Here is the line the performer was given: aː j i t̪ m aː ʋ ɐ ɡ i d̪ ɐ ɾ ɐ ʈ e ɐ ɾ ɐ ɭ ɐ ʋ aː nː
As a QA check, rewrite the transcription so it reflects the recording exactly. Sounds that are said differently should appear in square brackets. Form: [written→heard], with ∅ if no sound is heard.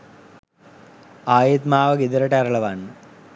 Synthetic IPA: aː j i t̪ m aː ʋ ɐ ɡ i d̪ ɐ ɾ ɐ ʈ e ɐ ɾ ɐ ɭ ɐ ʋ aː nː